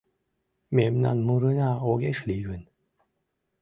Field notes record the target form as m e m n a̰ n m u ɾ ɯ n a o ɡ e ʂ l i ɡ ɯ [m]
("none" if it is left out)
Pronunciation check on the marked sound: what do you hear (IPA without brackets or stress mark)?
n